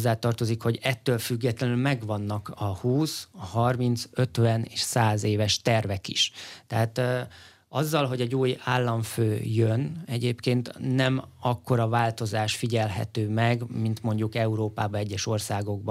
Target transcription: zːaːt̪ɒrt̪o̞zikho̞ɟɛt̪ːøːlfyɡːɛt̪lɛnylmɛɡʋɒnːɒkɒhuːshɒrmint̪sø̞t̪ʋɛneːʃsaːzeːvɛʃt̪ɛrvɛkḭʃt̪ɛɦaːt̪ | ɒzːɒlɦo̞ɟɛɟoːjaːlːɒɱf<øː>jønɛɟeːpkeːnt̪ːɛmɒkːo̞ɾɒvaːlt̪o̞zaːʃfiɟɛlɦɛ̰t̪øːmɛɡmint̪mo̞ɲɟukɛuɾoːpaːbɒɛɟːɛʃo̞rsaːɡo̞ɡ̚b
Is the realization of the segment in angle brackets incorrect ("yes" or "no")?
no